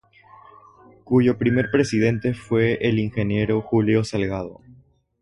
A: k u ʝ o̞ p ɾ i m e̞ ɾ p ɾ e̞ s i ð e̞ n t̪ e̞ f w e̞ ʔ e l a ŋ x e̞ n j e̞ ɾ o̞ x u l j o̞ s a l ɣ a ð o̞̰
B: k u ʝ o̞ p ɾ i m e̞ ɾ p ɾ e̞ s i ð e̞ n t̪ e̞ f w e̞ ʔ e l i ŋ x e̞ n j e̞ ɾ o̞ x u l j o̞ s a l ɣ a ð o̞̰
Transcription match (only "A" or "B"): B